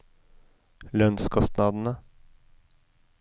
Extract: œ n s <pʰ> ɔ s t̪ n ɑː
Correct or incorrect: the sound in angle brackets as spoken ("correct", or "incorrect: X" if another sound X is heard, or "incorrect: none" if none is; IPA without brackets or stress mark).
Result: incorrect: kʰ